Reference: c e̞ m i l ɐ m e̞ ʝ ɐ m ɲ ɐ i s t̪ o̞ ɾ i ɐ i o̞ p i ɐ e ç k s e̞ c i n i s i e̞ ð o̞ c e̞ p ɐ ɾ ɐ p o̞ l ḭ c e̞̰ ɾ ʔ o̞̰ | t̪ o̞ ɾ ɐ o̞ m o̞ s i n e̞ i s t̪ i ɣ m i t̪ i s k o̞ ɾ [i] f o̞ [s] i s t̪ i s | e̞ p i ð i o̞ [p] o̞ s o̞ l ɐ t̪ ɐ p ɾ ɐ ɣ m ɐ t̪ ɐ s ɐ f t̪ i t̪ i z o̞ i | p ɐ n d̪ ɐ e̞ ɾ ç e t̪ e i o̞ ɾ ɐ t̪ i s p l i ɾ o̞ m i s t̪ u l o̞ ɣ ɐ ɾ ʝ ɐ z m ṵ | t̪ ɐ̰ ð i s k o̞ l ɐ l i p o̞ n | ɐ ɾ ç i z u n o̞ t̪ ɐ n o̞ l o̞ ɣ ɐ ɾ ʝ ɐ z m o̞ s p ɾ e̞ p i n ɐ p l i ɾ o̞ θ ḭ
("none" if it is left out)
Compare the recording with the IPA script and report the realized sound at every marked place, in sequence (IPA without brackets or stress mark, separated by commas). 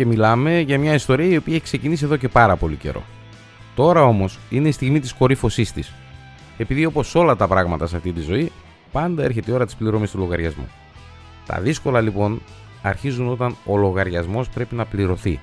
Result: i, s, p